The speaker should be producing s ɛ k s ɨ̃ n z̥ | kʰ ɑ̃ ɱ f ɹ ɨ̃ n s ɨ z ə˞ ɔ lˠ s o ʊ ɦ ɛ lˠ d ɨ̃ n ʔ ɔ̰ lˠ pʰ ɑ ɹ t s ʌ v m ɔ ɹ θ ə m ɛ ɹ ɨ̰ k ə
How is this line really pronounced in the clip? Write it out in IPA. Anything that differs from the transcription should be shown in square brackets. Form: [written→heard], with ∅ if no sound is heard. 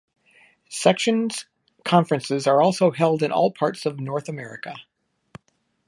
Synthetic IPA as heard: s ɛ k [s→ʃ] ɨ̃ n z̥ | kʰ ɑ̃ ɱ f ɹ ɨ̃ n s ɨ z ə˞ ɔ lˠ s o ʊ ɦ ɛ lˠ d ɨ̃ n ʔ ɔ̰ lˠ pʰ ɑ ɹ t s ʌ v [m→n] ɔ ɹ θ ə m ɛ ɹ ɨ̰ k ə